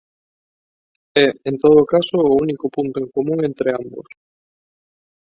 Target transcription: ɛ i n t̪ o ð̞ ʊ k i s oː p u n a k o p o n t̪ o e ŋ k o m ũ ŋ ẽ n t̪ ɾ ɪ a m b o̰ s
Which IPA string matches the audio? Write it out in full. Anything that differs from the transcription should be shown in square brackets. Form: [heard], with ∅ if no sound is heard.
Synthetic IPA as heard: ɛ [e] n t̪ o ð̞ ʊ k [a] s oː [∅] u n [i] k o p [u] n t̪ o e ŋ k o m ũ ŋ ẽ n t̪ ɾ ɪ a m b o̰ s